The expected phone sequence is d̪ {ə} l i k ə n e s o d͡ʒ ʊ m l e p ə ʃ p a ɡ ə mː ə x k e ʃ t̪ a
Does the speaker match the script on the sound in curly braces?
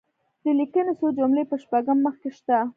yes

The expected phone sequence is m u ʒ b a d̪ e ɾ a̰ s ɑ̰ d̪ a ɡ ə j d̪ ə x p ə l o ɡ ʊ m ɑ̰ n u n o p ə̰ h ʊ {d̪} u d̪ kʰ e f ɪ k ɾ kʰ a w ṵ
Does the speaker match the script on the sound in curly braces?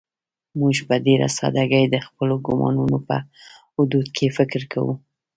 yes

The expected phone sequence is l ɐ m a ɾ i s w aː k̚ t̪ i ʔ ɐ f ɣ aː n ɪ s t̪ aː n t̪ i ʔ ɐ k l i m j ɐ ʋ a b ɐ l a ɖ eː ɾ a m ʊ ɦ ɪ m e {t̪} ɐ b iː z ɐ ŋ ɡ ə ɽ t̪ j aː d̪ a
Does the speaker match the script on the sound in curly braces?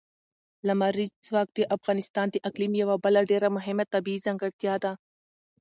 yes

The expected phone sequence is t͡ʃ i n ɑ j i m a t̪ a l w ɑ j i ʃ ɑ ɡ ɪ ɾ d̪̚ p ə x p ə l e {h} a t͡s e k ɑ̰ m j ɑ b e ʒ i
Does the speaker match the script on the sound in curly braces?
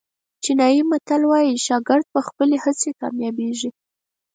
yes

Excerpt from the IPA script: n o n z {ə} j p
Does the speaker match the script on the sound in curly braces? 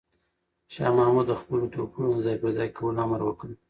no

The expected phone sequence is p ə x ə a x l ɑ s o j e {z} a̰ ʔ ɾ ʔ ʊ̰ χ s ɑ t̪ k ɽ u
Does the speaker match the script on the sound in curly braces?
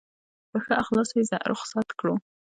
yes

